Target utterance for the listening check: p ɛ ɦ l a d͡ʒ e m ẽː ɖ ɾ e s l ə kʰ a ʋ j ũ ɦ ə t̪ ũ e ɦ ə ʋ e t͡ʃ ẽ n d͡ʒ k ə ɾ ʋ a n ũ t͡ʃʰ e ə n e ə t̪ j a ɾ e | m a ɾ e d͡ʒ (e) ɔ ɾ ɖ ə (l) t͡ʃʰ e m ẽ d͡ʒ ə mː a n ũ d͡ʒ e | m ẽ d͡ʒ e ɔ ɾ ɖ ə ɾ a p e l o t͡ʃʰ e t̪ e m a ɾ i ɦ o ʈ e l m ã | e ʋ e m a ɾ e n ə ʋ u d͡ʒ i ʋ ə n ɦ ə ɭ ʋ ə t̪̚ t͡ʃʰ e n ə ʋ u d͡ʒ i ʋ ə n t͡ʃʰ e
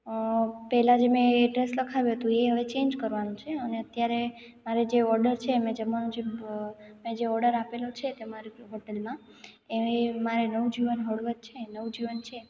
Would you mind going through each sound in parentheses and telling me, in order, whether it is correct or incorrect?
correct, incorrect: ɾ

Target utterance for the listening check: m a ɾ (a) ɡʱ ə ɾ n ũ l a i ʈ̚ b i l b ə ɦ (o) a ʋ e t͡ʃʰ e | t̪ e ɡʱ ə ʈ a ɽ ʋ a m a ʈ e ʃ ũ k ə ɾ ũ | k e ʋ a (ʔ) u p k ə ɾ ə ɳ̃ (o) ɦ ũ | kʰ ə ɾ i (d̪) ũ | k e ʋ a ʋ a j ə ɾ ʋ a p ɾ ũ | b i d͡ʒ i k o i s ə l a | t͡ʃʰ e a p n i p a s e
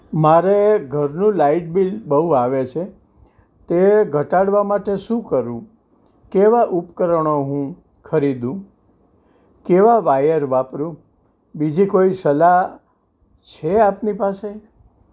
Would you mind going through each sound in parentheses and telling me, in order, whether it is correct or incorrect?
incorrect: e, incorrect: u, correct, correct, correct

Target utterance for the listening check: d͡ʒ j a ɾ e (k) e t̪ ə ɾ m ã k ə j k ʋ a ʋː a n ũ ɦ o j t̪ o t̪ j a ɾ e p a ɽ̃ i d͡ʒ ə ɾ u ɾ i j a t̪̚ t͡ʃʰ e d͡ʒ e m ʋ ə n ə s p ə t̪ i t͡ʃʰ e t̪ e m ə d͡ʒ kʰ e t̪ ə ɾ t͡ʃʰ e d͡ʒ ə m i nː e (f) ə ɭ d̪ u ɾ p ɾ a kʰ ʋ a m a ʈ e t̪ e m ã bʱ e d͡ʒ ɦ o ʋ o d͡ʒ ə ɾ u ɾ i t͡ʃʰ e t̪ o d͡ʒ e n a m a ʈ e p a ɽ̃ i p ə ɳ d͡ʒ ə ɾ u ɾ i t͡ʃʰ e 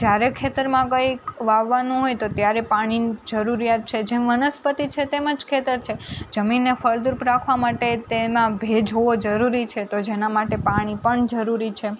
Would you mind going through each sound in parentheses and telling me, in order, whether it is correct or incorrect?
incorrect: kʰ, correct

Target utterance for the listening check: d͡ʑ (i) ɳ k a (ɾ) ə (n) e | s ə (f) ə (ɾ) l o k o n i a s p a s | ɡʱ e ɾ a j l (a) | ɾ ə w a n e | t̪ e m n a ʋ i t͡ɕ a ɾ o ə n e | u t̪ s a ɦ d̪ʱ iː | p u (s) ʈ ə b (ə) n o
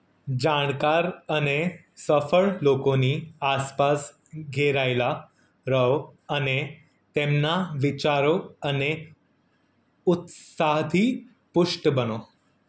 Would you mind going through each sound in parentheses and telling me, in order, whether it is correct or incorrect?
incorrect: a, correct, correct, correct, incorrect: ɭ, correct, incorrect: ʂ, correct

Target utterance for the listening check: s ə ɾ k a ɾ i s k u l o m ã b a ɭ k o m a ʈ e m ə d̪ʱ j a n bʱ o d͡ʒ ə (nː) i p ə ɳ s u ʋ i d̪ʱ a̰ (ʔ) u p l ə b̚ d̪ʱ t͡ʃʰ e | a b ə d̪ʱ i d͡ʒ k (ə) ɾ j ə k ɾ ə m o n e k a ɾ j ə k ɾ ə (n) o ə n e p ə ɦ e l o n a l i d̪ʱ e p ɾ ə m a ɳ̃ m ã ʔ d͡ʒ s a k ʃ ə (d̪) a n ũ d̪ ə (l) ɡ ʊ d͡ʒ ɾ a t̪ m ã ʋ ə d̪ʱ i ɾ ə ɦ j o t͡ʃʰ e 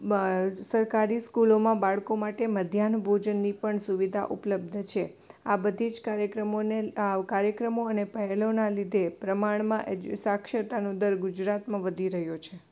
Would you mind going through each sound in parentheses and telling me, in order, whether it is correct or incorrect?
correct, correct, incorrect: a, incorrect: m, incorrect: t̪, incorrect: ɾ

